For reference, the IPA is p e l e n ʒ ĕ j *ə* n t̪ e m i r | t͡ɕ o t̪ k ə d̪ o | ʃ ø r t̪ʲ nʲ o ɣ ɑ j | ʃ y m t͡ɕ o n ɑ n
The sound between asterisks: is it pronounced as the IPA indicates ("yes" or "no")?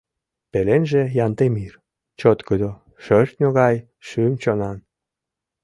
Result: no